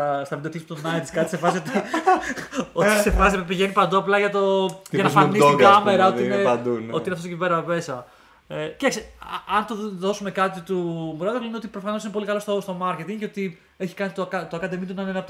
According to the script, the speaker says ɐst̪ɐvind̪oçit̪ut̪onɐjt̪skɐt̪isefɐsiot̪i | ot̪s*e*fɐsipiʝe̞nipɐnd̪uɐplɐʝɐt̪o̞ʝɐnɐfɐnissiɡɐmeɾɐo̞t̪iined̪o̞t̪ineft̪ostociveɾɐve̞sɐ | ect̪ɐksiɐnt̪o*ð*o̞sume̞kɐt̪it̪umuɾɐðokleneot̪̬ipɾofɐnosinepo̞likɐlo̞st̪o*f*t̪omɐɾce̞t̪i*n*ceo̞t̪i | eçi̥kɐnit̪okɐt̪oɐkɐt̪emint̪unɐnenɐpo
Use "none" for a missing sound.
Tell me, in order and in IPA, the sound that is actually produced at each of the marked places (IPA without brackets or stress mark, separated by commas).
e, ð, s, ŋ